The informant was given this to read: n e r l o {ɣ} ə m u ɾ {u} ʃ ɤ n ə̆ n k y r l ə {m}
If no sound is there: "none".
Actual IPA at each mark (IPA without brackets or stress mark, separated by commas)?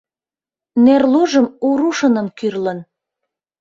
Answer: ʒ, u, n